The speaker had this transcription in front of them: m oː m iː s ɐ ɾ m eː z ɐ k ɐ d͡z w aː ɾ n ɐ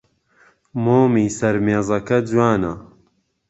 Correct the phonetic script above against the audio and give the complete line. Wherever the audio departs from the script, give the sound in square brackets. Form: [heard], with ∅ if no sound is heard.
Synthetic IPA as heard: m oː m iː s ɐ ɾ m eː z ɐ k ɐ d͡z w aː [∅] n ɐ